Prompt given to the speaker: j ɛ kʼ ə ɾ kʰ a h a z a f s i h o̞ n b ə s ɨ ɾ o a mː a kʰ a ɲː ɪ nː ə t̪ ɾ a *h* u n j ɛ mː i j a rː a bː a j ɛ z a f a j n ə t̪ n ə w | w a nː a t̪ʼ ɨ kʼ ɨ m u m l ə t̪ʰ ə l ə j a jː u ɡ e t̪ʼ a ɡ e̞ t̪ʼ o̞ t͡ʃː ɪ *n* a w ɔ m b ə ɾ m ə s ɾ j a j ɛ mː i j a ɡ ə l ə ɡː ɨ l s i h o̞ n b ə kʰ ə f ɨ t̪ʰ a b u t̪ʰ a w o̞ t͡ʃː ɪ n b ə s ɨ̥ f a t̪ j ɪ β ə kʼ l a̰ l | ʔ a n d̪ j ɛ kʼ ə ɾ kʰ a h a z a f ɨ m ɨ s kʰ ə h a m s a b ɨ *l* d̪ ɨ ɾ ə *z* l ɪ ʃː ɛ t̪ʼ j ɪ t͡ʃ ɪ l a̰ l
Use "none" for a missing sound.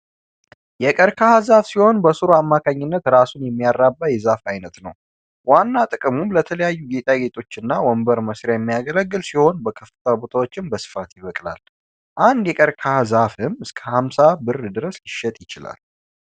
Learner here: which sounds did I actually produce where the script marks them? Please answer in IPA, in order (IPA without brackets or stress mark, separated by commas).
s, nː, r, s